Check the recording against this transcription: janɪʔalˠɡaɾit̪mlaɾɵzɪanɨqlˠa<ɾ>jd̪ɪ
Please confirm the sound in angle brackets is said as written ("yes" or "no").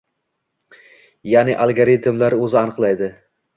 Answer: no